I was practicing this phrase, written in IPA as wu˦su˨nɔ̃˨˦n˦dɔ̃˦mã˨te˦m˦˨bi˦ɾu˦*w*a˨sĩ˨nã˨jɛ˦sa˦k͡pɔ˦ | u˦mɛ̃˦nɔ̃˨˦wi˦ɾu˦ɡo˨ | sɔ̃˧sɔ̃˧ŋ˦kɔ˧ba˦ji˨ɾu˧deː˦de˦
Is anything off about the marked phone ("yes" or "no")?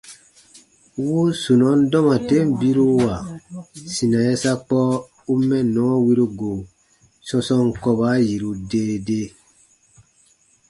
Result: no